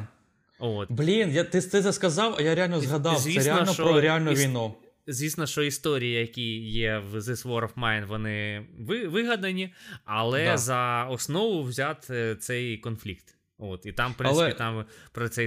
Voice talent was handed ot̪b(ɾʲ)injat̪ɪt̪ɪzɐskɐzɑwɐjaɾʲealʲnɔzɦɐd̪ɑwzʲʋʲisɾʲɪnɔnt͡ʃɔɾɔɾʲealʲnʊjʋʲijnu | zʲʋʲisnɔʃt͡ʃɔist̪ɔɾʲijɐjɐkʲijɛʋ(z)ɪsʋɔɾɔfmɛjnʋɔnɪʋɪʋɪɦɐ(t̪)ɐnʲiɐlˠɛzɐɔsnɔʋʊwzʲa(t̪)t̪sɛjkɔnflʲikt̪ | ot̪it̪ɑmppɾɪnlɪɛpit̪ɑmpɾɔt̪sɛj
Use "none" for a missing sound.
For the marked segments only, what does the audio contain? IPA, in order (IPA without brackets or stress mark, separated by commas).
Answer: lʲ, z, d̪, t̪